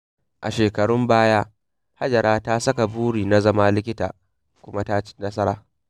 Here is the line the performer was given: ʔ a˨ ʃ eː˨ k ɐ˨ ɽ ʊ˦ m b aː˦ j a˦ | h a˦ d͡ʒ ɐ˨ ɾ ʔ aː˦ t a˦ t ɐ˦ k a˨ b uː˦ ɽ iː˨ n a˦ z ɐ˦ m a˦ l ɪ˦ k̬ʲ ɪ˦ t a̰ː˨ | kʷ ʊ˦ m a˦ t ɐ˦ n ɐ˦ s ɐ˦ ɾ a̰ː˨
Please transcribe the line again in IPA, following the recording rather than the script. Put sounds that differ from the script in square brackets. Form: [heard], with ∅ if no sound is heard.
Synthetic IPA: ʔ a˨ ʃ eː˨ k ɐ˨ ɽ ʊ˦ m b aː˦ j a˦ | h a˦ d͡ʒ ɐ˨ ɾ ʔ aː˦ t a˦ [s] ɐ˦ k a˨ b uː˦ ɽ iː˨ n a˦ z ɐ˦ m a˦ l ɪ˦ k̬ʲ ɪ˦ t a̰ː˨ | kʷ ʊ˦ m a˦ t [a˦] n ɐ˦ s ɐ˦ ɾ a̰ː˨

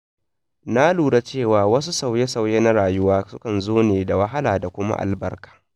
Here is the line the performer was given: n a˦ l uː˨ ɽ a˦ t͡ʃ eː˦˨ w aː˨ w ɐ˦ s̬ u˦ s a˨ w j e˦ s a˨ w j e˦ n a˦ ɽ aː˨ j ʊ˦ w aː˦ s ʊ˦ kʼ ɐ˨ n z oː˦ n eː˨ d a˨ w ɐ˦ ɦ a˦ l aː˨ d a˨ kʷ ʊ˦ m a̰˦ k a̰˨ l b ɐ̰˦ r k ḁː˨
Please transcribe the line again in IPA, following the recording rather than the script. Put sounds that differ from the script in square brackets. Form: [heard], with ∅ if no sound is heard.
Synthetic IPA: n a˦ l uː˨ ɽ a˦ t͡ʃ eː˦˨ w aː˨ w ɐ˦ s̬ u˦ s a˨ w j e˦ s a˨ w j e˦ n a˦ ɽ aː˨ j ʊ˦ w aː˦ s ʊ˦ [k] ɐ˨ n z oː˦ n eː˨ d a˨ w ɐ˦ ɦ a˦ l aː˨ d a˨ kʷ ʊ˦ m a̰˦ [ʔ] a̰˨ l b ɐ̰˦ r k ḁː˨

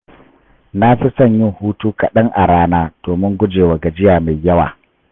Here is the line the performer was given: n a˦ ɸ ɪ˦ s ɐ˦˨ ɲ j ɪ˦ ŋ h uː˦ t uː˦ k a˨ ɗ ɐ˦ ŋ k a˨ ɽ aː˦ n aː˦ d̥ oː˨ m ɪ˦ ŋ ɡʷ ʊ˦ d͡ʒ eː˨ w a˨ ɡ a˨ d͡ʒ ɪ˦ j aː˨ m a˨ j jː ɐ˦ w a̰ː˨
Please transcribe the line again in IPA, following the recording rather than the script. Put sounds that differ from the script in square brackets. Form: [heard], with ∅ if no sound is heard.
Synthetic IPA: n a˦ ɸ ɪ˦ s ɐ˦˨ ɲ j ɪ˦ ŋ h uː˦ t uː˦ k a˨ ɗ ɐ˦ ŋ [ʔ] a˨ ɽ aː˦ n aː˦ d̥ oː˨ m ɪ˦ ŋ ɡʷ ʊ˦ d͡ʒ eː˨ w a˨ ɡ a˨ d͡ʒ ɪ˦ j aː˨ m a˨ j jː ɐ˦ w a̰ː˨

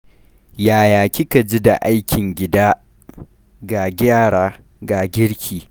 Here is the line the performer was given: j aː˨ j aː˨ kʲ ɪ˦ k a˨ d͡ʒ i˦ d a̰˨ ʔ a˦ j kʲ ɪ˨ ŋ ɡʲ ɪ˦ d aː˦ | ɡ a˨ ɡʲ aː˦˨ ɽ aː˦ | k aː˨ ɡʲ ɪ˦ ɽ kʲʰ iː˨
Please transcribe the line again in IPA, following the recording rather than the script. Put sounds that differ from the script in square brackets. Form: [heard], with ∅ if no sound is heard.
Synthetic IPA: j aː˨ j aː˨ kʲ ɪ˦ k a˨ d͡ʒ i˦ d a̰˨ ʔ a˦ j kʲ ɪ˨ ŋ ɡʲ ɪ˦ d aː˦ | ɡ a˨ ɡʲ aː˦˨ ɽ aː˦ | [ɡ] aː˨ ɡʲ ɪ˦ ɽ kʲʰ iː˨

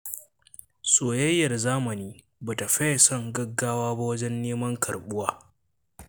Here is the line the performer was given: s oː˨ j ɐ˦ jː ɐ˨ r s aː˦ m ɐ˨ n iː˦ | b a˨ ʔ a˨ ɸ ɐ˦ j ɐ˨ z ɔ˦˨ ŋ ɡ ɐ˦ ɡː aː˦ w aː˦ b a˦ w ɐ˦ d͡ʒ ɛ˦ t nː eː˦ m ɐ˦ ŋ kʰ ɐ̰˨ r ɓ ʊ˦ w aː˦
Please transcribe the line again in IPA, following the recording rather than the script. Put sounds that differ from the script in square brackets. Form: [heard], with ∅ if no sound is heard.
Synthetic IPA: s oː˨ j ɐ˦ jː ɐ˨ r [z] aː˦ m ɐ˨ n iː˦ | b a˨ [t] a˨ ɸ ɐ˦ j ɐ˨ [s] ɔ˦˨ ŋ ɡ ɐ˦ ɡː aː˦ w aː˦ b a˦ w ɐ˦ d͡ʒ ɛ˦ [∅] nː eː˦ m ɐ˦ ŋ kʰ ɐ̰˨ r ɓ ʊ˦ w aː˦

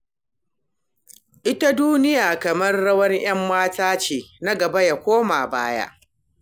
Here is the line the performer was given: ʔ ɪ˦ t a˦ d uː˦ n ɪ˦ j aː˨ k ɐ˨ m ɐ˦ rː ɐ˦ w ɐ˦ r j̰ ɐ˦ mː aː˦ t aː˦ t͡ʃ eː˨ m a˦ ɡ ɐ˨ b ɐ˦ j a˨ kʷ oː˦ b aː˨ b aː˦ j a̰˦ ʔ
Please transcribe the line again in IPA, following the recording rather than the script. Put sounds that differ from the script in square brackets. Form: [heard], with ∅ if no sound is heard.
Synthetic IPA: ʔ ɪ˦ t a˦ d uː˦ n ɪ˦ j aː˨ k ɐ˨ m ɐ˦ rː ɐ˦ w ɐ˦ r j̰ ɐ˦ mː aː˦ t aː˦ t͡ʃ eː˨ [n] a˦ ɡ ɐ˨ b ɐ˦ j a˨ kʷ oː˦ [m] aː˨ b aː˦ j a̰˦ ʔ

